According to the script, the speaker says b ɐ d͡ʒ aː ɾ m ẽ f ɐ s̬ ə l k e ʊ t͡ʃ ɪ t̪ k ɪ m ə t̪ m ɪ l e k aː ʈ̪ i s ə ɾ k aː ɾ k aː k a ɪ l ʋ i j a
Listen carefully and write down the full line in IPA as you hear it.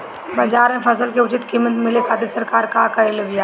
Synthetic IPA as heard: b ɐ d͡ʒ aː ɾ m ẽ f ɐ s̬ ə l k e ʊ t͡ʃ ɪ t̪ k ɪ m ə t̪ m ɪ l e k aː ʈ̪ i s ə ɾ k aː ɾ k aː k a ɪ l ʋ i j a